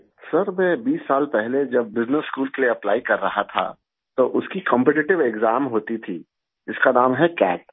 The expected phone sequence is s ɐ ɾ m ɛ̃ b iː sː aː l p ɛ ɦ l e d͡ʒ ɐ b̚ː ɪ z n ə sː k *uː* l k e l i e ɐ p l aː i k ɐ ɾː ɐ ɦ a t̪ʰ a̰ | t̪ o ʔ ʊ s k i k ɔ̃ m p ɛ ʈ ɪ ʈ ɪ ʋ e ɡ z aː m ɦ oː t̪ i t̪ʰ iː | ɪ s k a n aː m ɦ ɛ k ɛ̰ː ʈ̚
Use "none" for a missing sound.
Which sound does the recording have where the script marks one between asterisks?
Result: uː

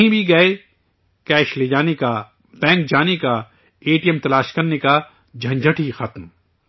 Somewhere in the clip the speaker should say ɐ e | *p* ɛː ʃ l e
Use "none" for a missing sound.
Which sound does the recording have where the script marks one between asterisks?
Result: k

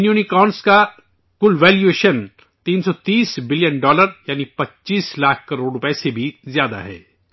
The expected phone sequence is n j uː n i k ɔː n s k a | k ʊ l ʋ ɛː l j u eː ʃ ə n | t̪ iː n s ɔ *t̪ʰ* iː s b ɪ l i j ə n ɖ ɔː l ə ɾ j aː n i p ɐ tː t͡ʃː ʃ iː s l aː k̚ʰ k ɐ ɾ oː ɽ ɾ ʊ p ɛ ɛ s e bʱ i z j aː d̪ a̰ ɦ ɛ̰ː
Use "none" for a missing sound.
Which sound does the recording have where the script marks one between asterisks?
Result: t̪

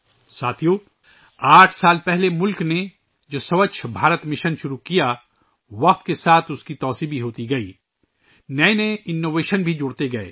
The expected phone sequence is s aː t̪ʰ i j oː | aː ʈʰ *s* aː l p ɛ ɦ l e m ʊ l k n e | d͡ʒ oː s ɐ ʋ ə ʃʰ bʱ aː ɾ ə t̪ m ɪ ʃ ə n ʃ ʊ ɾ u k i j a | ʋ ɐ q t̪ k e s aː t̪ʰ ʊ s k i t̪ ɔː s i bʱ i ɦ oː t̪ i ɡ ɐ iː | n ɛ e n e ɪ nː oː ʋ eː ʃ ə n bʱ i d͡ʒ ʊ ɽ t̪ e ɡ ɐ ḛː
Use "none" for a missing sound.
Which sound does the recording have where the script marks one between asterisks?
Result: s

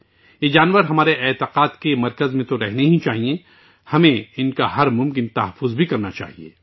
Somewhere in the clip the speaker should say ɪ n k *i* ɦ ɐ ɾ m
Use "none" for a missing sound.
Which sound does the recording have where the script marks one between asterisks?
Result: a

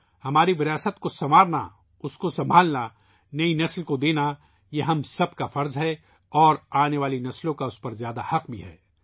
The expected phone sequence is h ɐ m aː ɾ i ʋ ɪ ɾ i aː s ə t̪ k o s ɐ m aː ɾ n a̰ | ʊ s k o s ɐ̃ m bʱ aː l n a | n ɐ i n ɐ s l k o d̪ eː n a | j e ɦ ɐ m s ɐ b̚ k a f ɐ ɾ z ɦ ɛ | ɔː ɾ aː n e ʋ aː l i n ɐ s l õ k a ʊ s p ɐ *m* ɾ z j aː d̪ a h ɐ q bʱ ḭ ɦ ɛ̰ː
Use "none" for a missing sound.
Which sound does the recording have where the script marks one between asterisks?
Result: none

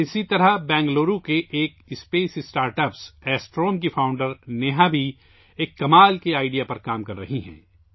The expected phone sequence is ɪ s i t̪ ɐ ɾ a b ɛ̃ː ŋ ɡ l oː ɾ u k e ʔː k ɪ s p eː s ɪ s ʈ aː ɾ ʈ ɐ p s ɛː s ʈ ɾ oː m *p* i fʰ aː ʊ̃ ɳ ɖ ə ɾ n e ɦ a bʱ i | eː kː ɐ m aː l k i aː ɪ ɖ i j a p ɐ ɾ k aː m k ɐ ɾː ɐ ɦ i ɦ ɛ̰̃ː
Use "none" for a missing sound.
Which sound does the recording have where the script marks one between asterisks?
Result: k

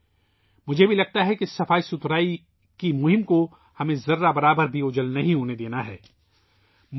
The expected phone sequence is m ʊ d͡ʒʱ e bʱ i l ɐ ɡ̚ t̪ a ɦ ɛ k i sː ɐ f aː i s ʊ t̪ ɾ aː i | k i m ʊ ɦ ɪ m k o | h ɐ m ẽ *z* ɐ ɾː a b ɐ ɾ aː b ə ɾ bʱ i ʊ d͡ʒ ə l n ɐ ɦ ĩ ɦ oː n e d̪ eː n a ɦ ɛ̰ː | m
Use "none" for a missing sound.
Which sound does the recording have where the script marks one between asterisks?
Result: z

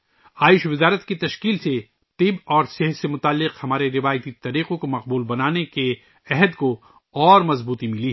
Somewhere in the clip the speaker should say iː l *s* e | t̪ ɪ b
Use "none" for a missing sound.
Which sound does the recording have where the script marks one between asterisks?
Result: s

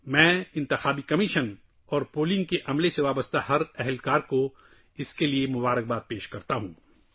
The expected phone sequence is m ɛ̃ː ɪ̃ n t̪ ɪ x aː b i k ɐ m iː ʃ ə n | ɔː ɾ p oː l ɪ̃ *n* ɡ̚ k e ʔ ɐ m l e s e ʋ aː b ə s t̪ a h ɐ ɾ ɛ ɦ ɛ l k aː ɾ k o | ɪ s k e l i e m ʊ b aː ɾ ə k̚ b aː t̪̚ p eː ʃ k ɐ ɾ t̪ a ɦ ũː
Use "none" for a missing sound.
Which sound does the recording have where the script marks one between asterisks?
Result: ŋ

